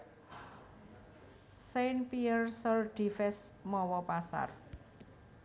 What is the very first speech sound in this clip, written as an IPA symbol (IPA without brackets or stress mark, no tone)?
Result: s